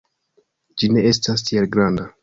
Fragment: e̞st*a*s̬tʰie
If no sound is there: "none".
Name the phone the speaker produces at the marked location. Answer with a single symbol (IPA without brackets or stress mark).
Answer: a